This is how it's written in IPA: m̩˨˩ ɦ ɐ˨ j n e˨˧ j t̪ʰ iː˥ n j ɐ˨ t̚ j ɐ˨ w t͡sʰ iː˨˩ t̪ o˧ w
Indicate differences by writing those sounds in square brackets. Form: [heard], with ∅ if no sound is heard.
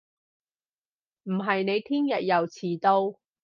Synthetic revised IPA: m̩˨˩ ɦ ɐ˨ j n e˨˧ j t̪ʰ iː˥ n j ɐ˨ t̚ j ɐ˨ w t͡sʰ iː˨˩ t̪ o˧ w